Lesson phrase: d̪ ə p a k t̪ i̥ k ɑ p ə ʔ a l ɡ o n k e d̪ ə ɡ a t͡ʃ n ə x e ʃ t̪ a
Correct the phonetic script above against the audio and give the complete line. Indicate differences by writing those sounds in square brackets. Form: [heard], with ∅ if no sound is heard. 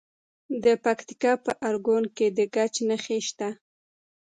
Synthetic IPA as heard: d̪ ə p a k t̪ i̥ k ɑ p ə ʔ a [ɾ] ɡ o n k e d̪ ə ɡ a t͡ʃ n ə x e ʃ t̪ a